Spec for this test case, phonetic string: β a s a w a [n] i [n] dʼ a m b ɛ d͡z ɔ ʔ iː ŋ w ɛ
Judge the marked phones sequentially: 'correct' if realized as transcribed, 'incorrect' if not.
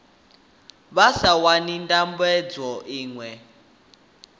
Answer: correct, correct

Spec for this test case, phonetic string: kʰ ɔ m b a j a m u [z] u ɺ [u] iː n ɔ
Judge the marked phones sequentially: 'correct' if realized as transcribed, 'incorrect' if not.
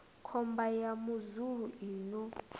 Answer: correct, correct

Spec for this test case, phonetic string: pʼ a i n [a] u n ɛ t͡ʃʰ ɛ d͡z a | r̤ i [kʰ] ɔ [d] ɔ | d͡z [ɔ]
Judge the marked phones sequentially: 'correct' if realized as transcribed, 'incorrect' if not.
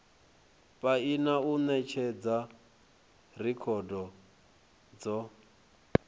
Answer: correct, correct, correct, correct

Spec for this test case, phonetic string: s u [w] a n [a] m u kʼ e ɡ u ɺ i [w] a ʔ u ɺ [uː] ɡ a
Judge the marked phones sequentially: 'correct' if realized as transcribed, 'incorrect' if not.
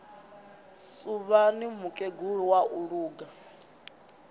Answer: incorrect, incorrect, correct, correct

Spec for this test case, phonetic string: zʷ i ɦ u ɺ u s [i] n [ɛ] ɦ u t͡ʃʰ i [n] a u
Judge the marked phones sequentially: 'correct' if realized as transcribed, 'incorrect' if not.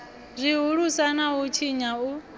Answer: incorrect, incorrect, incorrect

